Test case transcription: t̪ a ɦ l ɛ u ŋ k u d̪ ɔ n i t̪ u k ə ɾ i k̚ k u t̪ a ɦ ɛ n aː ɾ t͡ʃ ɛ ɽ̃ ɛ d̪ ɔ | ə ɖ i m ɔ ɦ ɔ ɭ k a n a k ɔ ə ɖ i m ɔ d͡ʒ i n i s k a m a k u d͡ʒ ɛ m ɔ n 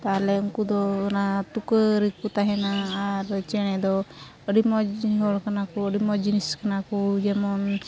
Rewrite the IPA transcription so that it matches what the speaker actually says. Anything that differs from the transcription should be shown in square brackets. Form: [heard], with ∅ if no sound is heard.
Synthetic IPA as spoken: t̪ a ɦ l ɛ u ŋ k u d̪ ɔ n [a] t̪ u k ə ɾ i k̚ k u t̪ a ɦ ɛ n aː ɾ t͡ʃ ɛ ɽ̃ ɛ d̪ ɔ | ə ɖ i m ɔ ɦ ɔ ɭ k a n a k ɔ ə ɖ i m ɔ d͡ʒ i n i s k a [n] a k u d͡ʒ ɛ m ɔ n